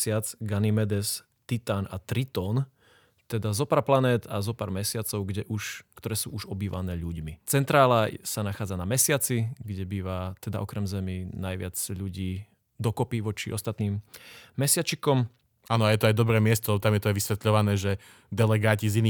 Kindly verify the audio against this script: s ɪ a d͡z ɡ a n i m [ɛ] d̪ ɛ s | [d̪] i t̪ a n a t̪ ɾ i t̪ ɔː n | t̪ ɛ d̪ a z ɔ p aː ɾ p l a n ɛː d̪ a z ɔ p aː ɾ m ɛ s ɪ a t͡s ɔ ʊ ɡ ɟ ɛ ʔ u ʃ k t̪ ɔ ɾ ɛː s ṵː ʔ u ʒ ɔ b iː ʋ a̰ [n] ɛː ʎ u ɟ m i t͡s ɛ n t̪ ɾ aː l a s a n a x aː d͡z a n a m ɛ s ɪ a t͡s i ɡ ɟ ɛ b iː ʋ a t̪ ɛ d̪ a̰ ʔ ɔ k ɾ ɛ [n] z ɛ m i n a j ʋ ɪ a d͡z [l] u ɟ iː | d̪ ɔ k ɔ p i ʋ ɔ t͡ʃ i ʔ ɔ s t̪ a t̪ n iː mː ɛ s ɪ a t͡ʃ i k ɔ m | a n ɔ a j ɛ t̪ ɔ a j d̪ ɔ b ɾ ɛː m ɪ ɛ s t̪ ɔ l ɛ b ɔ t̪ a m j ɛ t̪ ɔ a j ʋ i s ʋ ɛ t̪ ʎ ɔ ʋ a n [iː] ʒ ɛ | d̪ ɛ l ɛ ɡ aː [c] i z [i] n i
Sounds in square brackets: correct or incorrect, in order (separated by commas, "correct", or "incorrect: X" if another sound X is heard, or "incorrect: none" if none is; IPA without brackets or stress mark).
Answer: correct, incorrect: t̪, correct, incorrect: m, incorrect: ʎ, incorrect: ɛː, correct, correct